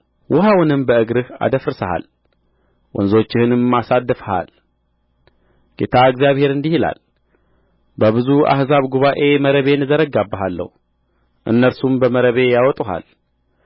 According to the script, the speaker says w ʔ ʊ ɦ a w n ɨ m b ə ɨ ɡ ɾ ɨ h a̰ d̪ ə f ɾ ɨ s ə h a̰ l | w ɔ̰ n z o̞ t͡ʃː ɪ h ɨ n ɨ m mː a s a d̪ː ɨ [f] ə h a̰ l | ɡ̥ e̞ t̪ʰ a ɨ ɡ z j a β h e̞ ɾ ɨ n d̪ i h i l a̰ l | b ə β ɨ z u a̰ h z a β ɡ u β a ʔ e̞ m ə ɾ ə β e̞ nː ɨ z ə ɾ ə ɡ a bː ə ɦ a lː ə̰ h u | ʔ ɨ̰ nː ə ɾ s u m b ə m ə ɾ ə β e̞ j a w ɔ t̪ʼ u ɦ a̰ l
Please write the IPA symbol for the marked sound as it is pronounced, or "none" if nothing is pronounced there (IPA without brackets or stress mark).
f